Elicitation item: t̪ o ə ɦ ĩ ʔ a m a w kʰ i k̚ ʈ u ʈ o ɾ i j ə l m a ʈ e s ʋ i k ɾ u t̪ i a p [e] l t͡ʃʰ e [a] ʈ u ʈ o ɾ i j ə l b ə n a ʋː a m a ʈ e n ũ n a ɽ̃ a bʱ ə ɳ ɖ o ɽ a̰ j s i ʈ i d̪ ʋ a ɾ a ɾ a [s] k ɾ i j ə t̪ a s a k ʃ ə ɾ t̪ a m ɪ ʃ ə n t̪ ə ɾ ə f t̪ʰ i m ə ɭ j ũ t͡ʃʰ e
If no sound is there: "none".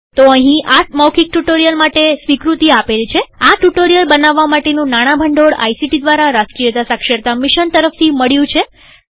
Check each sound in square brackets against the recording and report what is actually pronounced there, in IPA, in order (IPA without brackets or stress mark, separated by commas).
e, a, s